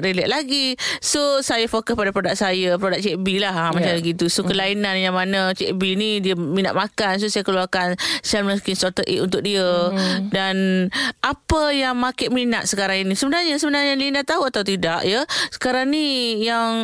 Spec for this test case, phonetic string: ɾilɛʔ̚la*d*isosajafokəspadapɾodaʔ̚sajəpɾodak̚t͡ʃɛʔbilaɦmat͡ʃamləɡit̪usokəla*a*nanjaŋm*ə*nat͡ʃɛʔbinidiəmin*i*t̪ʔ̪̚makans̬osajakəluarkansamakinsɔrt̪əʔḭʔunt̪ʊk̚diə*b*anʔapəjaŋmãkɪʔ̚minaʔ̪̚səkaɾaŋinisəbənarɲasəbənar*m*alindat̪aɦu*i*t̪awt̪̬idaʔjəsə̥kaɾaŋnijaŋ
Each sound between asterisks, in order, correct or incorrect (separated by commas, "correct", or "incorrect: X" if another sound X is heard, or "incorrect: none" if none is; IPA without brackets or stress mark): incorrect: ɡ, incorrect: i, incorrect: a, incorrect: a, incorrect: d, incorrect: ɲ, incorrect: a